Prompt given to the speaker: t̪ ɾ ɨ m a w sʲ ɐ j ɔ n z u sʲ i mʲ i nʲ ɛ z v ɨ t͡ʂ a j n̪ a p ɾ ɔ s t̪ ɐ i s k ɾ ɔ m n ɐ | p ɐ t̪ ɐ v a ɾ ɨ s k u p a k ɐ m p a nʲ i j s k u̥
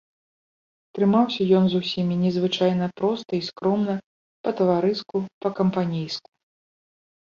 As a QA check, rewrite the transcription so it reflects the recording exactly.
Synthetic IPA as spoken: t̪ ɾ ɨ m a w sʲ ɐ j ɔ n z u sʲ i mʲ i nʲ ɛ z v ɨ t͡ʂ a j n̪ ɐ p ɾ ɔ s t̪ ɐ i s k ɾ ɔ m n ɐ | p ɐ t̪ ɐ v a ɾ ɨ s k u p ɐ k ɐ m p a nʲ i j s k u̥